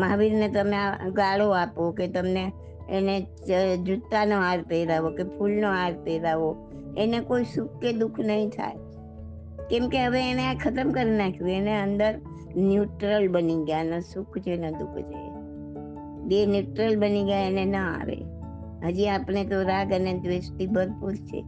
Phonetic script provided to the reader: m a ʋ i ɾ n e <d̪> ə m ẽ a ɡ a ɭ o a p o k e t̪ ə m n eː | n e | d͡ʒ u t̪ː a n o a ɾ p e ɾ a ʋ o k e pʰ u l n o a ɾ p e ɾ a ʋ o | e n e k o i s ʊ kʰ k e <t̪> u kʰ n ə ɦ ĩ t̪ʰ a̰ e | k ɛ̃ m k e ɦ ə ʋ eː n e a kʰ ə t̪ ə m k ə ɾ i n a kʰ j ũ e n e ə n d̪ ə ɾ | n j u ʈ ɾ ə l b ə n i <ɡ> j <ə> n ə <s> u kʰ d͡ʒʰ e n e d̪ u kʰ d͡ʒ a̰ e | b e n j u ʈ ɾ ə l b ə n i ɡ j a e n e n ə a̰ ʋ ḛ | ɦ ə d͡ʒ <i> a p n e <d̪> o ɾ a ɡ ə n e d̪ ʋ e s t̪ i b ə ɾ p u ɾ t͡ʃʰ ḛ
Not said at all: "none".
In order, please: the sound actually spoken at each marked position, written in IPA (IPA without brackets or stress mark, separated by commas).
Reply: t̪, d̪, ɡ, a, s, i, t̪